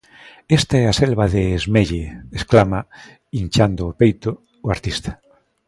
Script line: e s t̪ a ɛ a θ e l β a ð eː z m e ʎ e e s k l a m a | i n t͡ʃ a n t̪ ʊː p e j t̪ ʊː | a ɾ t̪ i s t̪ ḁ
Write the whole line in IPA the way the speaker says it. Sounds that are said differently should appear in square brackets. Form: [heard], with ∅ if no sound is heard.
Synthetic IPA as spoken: e s t̪ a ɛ a [s] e l β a ð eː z m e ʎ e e s k l a m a | i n t͡ʃ a n [d̪] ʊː p e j t̪ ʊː | a ɾ t̪ i s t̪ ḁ